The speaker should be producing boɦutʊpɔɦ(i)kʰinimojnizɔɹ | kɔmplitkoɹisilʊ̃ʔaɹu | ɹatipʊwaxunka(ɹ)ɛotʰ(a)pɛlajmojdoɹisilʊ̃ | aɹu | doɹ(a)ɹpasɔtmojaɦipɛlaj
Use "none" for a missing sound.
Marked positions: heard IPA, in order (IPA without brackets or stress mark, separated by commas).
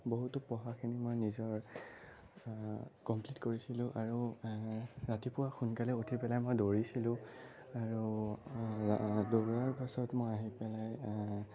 a, l, i, a